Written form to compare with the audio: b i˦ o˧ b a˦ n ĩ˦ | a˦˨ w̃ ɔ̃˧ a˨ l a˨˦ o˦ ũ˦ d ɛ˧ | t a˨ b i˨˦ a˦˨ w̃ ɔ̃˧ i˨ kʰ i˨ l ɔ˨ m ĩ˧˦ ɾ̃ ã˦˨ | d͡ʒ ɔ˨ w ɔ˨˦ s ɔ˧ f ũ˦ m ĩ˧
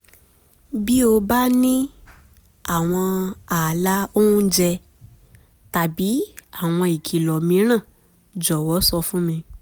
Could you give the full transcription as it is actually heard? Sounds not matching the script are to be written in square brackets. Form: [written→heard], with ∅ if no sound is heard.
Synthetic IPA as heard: b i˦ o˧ b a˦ n ĩ˦ | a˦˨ w̃ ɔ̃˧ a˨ l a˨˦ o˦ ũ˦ [d→d͡ʒ] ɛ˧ | t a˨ b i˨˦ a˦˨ w̃ ɔ̃˧ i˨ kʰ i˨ l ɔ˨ m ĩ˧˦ ɾ̃ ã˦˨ | d͡ʒ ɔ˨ w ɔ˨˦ s ɔ˧ f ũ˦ m ĩ˧